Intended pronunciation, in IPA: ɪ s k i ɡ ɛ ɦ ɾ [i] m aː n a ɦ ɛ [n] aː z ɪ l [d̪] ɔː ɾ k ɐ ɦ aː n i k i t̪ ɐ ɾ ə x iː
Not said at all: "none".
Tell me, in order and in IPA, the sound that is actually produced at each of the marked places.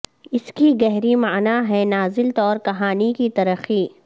i, n, t̪

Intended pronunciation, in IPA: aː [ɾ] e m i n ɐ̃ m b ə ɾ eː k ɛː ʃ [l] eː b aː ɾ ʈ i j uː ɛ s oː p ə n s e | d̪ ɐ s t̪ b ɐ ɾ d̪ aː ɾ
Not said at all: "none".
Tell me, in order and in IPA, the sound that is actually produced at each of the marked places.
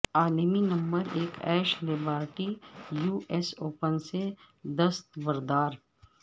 l, l

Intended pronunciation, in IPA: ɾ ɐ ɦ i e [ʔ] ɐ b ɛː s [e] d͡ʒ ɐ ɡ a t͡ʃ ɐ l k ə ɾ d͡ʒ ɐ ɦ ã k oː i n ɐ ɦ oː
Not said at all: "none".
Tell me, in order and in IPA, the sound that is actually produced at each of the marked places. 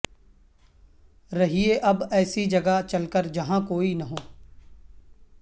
ʔ, i

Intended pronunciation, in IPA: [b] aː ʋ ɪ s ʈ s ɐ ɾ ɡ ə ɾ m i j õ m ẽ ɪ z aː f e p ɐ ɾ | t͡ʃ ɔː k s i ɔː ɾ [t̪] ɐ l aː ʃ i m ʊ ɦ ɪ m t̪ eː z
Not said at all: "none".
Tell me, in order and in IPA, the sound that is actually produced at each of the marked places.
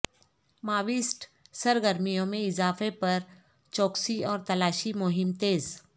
m, t̪

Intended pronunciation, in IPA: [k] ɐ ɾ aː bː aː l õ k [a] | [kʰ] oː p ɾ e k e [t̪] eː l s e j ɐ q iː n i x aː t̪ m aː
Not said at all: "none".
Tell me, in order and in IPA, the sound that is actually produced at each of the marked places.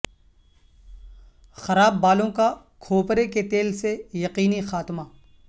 x, a, kʰ, t̪

